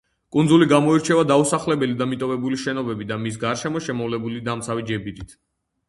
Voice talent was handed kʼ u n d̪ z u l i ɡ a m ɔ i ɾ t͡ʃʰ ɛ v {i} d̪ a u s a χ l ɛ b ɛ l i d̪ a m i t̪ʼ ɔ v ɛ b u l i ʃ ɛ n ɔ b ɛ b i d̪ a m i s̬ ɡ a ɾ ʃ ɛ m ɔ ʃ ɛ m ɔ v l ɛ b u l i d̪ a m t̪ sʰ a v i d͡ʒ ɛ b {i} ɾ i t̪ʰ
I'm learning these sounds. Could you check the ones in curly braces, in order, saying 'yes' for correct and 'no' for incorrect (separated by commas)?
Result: no, yes